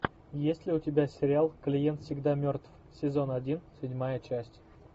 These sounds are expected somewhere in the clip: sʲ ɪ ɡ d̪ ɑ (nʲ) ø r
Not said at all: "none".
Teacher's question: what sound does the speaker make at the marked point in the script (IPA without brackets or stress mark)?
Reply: mʲ